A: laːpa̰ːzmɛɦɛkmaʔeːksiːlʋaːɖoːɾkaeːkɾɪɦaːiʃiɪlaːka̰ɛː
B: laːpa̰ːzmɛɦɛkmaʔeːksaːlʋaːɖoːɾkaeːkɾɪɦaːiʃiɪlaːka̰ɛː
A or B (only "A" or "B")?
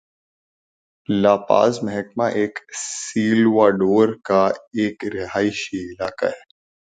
A